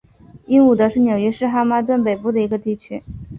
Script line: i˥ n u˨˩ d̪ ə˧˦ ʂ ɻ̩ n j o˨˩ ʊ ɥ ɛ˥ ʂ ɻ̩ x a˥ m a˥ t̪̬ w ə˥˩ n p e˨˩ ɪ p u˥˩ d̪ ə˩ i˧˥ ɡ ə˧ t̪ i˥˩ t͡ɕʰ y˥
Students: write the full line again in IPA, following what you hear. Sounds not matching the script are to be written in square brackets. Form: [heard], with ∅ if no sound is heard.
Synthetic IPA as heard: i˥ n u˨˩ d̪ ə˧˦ ʂ ɻ̩ n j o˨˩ ʊ ɥ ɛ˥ ʂ ɻ̩ x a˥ m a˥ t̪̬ w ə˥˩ n p e˨˩ ɪ p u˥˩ d̪ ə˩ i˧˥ ɡ ə˧ t̪ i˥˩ t͡ɕʰ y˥